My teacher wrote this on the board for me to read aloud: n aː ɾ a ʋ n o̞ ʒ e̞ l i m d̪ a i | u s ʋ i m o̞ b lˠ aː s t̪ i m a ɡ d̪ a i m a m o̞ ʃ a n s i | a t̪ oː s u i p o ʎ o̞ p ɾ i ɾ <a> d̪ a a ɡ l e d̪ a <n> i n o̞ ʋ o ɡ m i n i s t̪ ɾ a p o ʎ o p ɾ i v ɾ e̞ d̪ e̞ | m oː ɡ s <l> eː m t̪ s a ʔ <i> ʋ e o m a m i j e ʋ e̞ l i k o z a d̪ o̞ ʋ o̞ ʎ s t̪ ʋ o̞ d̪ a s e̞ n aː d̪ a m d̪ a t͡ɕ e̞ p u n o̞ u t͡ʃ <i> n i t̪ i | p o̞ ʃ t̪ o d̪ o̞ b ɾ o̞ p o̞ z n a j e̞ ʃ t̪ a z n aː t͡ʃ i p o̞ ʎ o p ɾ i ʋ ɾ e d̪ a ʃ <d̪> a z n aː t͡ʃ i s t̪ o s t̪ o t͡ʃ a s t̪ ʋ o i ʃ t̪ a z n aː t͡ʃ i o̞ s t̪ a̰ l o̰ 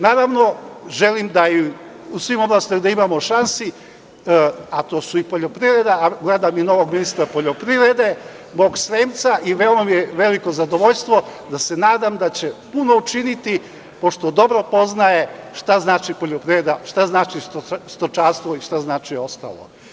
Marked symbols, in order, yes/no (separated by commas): no, no, no, yes, yes, no